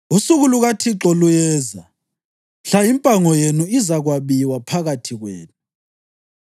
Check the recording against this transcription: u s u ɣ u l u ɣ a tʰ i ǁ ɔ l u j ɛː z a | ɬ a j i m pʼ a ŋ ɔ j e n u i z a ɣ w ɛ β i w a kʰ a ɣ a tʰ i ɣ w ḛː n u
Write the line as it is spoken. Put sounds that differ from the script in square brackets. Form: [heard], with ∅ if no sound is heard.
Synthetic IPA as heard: u s u ɣ u l u ɣ a tʰ i ǁ ɔ l u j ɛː z a | ɬ a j i m pʼ a ŋ ɔ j e n u i z a ɣ w [a] β i w a [pʰ] a ɣ a tʰ i ɣ w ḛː n u